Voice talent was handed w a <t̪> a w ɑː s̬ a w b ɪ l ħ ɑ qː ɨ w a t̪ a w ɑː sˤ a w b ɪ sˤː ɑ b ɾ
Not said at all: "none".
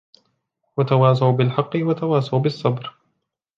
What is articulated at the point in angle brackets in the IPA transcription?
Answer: t̪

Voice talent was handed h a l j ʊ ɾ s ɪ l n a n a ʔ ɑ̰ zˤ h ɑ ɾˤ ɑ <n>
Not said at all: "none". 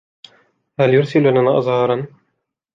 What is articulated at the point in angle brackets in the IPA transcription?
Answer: n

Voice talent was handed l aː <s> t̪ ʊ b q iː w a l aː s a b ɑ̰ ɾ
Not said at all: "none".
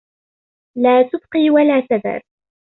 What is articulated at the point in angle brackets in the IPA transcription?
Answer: none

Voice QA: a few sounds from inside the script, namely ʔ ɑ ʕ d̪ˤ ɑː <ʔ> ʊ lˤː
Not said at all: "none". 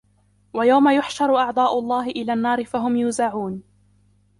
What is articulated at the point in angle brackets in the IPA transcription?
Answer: ʔ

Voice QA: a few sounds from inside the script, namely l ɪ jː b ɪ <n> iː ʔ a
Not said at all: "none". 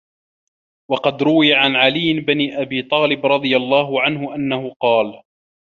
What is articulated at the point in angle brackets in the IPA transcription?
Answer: n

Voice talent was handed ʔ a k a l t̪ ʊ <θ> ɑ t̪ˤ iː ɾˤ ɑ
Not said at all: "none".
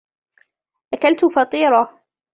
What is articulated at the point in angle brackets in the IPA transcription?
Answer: f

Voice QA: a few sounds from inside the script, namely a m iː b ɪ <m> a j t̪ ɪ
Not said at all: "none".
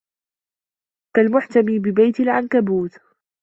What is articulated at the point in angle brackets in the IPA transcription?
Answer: b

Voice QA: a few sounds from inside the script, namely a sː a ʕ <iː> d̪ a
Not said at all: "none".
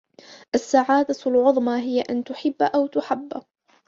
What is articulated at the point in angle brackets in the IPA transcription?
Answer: aː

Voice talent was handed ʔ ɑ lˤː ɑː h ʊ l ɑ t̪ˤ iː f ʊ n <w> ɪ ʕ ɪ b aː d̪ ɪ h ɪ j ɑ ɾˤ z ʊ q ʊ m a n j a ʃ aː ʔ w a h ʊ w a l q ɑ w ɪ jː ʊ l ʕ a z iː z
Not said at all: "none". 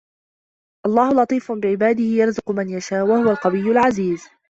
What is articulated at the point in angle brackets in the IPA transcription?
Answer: b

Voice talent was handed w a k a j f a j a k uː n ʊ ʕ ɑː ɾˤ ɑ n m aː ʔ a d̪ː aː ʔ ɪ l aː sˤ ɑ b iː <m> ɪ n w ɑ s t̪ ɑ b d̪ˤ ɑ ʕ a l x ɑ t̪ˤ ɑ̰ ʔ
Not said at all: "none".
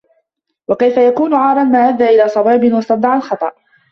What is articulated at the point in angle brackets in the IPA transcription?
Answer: b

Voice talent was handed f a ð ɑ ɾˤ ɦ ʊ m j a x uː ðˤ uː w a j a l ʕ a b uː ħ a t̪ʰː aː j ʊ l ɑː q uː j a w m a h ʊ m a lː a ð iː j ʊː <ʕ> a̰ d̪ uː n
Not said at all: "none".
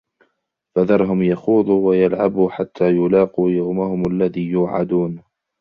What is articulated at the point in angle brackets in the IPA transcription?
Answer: ʕ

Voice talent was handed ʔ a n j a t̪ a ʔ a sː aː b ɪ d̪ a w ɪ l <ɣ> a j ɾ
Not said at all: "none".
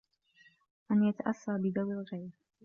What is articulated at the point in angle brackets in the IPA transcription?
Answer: ɣ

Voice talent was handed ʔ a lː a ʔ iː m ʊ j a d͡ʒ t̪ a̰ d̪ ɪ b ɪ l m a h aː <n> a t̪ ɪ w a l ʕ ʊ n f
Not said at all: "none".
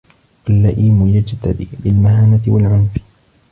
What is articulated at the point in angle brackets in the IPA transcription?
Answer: n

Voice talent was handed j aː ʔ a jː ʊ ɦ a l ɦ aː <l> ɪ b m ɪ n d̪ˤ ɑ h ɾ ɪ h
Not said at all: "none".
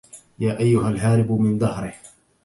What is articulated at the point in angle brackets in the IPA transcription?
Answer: ɾ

